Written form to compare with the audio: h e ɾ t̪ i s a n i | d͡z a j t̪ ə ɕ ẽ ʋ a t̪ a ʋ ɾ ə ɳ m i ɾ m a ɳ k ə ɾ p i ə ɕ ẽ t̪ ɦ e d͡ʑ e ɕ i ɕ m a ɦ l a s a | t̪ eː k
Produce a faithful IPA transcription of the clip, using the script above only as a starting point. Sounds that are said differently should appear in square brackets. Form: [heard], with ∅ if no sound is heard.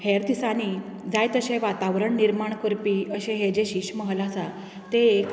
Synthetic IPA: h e ɾ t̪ i s a n i | d͡z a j t̪ ə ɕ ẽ ʋ a t̪ a ʋ ɾ ə ɳ [n] i ɾ m a ɳ k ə ɾ p i ə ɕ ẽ [∅] ɦ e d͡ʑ e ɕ i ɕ m [ə] ɦ l a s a | t̪ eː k